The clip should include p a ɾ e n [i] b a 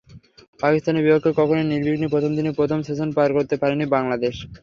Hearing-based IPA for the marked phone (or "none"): i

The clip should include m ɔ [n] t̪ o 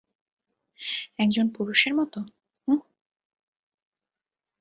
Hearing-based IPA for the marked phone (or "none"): none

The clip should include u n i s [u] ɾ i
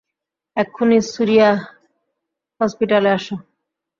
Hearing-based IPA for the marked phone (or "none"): u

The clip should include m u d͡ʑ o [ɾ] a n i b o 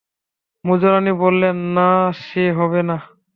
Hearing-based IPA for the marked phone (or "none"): ɾ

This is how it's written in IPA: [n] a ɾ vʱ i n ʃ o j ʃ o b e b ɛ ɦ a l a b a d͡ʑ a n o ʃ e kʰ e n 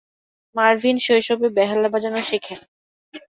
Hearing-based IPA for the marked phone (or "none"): m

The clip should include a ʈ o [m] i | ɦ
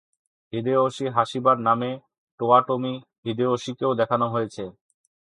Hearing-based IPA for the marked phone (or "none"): m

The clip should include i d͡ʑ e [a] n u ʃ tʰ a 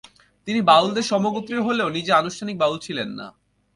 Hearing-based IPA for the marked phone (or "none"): a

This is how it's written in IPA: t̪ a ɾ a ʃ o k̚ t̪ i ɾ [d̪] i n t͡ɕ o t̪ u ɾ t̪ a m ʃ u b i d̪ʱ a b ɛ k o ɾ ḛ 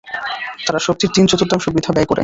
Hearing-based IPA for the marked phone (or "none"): t̪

